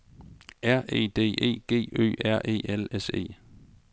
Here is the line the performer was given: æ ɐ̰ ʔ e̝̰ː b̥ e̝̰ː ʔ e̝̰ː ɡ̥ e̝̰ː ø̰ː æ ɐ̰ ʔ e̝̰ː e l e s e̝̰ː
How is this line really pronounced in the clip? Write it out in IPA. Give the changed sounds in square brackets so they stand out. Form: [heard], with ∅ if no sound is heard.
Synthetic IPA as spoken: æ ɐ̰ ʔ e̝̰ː [d̥] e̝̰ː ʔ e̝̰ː ɡ̥ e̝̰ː ø̰ː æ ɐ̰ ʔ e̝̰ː e l e s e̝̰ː